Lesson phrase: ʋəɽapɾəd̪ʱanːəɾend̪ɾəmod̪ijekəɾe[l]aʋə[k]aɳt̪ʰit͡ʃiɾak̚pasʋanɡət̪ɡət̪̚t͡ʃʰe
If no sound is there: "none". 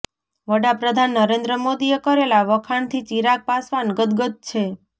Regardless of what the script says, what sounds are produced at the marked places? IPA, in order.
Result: l, kʰ

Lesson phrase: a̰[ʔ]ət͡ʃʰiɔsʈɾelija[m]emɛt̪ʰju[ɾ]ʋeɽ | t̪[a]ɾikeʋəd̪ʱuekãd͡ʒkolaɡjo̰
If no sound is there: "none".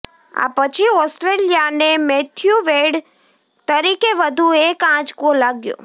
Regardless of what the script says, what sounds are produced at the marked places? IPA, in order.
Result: p, n, none, ə

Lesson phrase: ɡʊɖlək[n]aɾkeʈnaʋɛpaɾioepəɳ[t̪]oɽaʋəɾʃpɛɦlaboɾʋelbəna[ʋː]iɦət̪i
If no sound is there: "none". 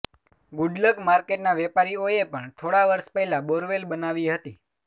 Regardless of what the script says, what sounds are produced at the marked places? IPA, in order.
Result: m, t̪ʰ, ʋ

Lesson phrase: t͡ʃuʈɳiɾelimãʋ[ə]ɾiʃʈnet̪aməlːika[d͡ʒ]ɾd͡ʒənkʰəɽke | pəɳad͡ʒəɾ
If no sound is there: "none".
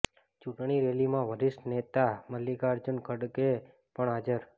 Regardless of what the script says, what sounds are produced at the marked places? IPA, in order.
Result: ə, none

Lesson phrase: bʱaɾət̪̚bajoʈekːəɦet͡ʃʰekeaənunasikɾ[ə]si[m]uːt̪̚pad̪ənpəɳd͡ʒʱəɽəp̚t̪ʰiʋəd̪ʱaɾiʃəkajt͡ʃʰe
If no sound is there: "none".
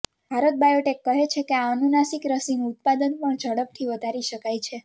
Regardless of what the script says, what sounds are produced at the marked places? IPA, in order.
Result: ə, n

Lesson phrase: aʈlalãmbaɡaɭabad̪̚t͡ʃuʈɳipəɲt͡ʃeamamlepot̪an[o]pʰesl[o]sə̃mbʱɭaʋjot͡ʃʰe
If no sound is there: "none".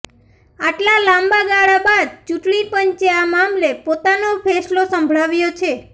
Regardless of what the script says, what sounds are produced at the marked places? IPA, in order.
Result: o, o

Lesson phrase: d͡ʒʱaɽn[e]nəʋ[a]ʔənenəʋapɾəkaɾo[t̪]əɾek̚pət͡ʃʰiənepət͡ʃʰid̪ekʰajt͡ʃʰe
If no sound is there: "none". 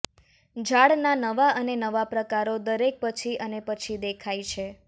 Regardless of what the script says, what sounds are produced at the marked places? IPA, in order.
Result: a, a, d̪

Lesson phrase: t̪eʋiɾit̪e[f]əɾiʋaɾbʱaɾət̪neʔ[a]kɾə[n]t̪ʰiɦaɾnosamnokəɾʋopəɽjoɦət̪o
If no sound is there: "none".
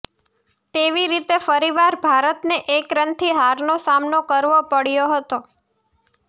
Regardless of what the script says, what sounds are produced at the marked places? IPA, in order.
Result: f, e, n

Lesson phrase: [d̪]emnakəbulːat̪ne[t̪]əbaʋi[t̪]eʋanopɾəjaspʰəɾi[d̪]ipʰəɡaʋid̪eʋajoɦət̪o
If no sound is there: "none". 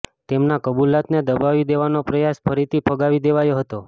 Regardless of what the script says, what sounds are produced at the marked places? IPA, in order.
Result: t̪, d̪, d̪, t̪

